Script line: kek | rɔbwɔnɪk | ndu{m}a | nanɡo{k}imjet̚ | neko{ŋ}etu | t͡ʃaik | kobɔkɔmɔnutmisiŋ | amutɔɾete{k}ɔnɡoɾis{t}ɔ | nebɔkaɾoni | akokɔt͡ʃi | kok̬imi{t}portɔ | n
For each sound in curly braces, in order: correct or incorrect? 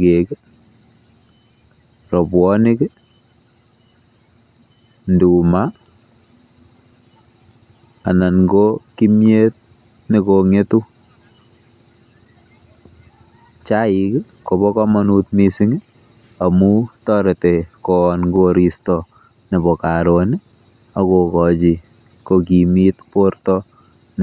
correct, correct, correct, correct, correct, correct

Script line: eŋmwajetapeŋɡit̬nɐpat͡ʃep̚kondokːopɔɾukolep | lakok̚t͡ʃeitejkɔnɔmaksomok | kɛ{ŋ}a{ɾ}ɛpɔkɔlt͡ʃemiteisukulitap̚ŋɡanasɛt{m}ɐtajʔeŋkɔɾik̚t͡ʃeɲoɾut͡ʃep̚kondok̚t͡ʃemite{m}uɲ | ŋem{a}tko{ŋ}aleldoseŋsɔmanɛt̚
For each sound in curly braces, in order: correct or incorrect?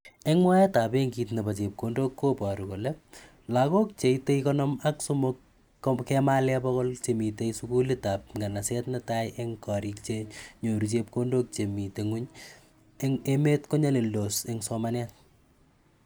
incorrect: m, incorrect: l, incorrect: n, incorrect: ŋ, incorrect: e, incorrect: ɲ

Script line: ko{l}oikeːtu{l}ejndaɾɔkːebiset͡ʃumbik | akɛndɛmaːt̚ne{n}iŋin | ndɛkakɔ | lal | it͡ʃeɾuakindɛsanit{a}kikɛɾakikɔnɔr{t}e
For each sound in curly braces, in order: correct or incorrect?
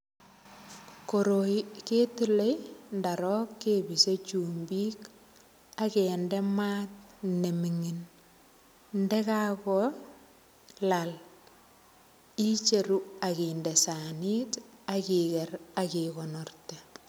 incorrect: ɾ, correct, incorrect: m, correct, correct

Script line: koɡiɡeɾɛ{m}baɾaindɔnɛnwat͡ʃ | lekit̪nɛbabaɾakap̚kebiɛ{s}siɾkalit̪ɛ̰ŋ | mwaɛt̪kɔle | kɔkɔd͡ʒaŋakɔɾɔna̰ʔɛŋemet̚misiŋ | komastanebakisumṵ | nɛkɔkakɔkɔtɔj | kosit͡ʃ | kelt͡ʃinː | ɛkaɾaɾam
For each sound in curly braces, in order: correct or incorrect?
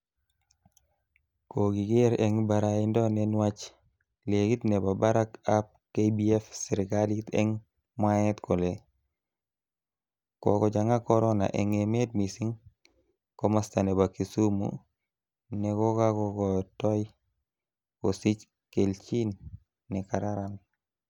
incorrect: ŋ, incorrect: f

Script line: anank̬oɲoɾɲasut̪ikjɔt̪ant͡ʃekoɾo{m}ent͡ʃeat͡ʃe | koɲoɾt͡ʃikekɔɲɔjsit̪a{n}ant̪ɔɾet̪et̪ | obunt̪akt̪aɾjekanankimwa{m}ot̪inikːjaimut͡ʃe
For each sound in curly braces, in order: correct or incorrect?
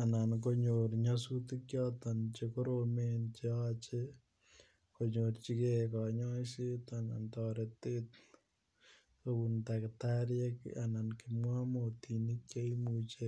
correct, correct, correct

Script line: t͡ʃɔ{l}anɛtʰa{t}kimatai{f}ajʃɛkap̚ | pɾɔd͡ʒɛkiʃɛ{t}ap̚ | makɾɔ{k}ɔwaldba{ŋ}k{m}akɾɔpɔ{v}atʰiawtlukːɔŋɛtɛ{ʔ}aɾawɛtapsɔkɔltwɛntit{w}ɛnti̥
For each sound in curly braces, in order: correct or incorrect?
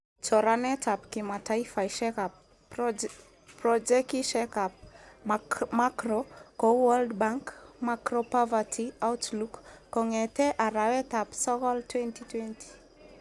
incorrect: ɾ, incorrect: p, correct, incorrect: k, correct, correct, correct, correct, correct, correct

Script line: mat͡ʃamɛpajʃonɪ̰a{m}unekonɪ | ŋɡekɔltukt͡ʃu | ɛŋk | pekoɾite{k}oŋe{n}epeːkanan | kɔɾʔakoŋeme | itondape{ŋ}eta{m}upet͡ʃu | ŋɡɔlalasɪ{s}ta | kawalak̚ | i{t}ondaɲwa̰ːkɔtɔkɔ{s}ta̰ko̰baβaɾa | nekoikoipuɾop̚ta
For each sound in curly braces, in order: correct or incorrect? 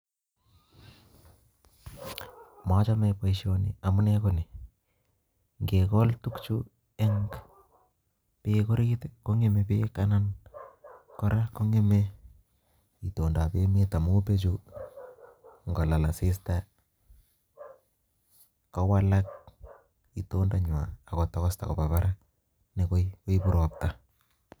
correct, correct, incorrect: m, incorrect: m, correct, correct, correct, correct

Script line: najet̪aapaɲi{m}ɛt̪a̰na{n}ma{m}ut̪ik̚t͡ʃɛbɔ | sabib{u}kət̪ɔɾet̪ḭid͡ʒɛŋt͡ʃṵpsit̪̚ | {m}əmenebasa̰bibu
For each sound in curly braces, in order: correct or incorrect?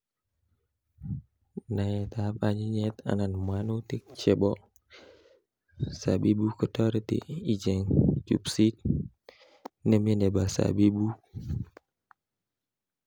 incorrect: ɲ, correct, incorrect: n, correct, incorrect: n

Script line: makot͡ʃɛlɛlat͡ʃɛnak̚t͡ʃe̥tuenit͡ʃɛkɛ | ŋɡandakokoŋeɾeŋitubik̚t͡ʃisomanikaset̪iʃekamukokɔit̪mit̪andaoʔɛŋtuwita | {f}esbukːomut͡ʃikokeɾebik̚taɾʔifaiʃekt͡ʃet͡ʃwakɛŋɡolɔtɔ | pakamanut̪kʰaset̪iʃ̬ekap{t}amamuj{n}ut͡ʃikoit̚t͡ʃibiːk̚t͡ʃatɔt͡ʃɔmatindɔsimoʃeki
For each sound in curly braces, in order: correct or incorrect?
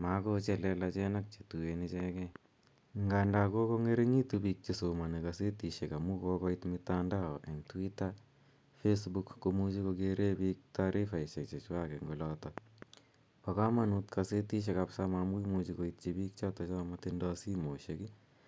correct, incorrect: s, incorrect: m

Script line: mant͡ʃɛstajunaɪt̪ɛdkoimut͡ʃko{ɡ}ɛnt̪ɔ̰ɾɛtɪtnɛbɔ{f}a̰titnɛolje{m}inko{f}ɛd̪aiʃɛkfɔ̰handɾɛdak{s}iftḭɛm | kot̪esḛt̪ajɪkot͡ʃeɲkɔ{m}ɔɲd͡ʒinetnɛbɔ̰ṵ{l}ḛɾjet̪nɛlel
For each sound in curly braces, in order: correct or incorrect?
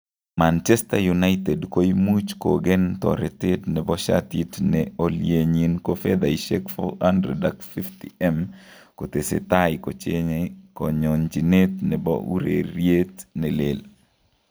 correct, incorrect: ʃ, incorrect: ɲ, correct, incorrect: f, incorrect: ɲ, incorrect: ɾ

